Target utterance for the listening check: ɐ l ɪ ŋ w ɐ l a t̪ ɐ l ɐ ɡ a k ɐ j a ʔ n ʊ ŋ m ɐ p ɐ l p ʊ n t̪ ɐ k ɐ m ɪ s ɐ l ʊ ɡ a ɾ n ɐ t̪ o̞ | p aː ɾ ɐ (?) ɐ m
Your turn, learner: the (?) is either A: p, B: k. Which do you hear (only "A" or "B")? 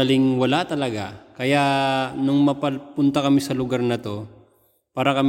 B